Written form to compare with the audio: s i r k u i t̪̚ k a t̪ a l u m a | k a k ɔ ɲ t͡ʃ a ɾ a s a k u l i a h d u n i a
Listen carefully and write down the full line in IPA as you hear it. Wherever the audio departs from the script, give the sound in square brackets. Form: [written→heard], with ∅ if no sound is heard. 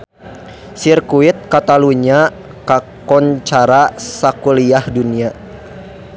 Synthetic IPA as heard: s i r k u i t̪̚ k a t̪ a l u [m→ɲ] a | k a k ɔ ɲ t͡ʃ a ɾ a s a k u l i a h d u n i a

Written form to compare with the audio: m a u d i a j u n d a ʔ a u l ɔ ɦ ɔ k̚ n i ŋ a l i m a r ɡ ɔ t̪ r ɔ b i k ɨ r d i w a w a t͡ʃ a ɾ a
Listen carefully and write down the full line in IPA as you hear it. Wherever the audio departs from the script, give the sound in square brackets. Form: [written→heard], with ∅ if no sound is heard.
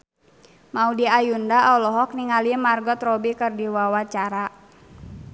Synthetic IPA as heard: m a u d i a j u n d a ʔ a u l ɔ ɦ ɔ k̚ n i ŋ a l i m a r ɡ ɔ t̪ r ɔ b i k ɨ r d i w a w a t͡ʃ a ɾ a

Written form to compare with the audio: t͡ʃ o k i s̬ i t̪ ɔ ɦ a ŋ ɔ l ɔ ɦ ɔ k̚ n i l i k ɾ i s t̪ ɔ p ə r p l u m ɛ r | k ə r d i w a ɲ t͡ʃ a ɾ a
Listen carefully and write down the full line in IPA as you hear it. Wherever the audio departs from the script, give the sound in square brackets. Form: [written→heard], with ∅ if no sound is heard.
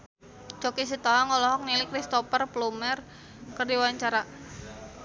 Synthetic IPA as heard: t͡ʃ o k i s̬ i t̪ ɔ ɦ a ŋ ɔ l ɔ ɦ ɔ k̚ n i l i k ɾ i s t̪ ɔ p ə r p l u m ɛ r | k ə r d i w a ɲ t͡ʃ a ɾ a

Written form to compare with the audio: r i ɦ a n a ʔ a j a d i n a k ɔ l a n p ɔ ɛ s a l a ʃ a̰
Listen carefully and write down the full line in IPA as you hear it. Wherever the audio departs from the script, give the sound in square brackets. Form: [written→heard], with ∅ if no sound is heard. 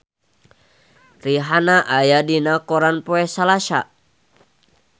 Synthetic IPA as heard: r i ɦ a n a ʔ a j a d i n a k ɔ [l→ɾ] a n p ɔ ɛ s a l a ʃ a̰

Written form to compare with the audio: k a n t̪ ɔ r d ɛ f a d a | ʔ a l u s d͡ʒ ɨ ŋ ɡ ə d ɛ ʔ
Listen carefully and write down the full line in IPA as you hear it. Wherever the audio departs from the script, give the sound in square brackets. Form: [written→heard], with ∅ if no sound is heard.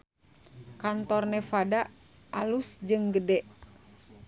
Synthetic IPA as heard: k a n t̪ ɔ r [d→n] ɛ f a d a | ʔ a l u s d͡ʒ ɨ ŋ ɡ ə d ɛ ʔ

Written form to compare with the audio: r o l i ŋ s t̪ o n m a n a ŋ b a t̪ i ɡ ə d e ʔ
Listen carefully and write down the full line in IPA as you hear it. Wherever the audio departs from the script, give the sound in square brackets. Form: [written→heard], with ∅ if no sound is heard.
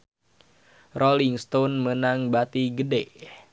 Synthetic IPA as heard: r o l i ŋ s t̪ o n m [a→ə] n a ŋ b a t̪ i ɡ ə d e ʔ

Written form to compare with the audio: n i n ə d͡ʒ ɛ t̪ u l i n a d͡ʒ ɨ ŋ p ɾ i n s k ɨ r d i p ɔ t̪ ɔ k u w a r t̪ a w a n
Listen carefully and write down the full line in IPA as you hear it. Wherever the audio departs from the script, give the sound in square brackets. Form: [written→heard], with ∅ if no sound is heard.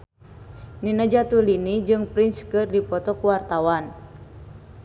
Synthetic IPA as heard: n i n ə d͡ʒ [ɛ→a] t̪ u l i n [a→i] d͡ʒ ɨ ŋ p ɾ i n s k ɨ r d i p ɔ t̪ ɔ k u w a r t̪ a w a n

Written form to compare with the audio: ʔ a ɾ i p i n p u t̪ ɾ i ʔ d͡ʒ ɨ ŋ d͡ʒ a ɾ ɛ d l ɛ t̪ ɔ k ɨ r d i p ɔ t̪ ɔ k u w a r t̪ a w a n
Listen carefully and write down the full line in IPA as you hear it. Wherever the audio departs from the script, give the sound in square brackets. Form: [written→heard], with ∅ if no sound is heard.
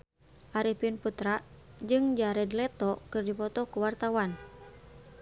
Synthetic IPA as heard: ʔ a ɾ i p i n p u t̪ ɾ [i→a] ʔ d͡ʒ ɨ ŋ d͡ʒ a ɾ ɛ d l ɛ t̪ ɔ k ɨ r d i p ɔ t̪ ɔ k u w a r t̪ a w a n

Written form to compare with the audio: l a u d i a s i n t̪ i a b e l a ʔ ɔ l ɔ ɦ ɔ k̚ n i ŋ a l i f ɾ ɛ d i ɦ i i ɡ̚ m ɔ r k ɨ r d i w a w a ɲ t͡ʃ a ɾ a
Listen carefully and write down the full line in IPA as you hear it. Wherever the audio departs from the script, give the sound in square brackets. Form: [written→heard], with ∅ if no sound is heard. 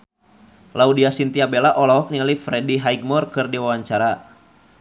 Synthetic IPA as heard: l a u d i a s i n t̪ i a b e l a ʔ ɔ l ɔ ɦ ɔ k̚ n i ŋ a l i f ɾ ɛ d i ɦ [i→a] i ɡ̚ m ɔ r k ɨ r d i w a w a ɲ t͡ʃ a ɾ a

